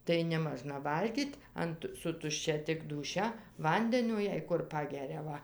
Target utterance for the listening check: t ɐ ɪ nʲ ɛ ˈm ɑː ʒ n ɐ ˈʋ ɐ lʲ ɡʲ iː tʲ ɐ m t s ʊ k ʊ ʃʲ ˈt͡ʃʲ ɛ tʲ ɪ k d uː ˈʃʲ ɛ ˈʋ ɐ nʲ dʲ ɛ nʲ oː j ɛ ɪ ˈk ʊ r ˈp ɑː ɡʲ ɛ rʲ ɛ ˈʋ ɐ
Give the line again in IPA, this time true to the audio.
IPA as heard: t ɐ ɪ nʲ ɛ ˈm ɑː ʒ n ɐ ˈʋ ɐ lʲ ɡʲ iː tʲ ɐ n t s ʊ t ʊ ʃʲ ˈt͡ʃʲ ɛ tʲ ɪ k d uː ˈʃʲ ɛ ˈʋ ɐ nʲ dʲ ɛ nʲ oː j ɛ ɪ ˈk ʊ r ˈp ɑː ɡʲ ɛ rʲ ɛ ˈʋ ɐ